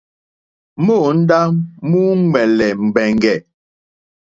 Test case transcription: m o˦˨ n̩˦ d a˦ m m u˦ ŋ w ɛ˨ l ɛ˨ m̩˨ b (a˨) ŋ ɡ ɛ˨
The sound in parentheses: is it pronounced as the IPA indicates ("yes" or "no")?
no